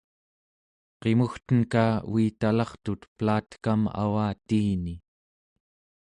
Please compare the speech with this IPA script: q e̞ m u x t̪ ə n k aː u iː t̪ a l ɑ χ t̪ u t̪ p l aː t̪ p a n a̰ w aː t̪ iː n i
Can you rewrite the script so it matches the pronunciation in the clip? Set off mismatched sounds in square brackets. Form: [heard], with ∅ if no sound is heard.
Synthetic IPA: q e̞ m u x t̪ ə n k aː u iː t̪ a l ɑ χ t̪ u t̪ p l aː t̪ [k] a [m] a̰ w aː t̪ iː n i